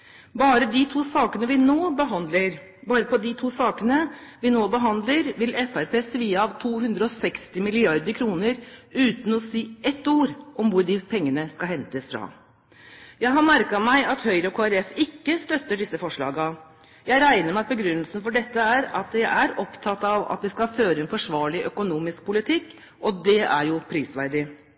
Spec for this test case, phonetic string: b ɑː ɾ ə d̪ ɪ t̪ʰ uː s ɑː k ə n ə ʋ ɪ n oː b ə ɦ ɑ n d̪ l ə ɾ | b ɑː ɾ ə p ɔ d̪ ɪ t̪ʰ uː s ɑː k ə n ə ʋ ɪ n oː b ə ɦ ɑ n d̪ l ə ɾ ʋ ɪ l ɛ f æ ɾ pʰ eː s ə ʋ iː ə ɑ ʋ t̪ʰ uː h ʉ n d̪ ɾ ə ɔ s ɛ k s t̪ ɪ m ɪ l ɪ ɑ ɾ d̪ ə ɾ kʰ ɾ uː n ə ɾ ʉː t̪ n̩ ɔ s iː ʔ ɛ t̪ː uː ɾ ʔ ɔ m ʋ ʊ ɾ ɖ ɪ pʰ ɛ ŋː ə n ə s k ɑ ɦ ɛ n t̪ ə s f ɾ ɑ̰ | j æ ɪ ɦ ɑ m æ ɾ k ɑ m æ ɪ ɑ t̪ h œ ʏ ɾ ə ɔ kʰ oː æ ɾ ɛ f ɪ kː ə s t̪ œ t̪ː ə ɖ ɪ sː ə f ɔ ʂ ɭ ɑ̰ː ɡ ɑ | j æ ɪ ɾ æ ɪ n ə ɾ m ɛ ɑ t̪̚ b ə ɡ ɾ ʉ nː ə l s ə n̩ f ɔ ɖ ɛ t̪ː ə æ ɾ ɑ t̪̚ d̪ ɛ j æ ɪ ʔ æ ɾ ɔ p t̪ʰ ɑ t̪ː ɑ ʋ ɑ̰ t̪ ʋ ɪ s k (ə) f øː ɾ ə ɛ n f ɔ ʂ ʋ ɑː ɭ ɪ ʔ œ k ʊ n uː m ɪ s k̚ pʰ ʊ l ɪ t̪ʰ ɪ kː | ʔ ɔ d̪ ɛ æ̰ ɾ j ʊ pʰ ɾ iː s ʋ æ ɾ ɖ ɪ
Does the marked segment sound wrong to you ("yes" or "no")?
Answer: yes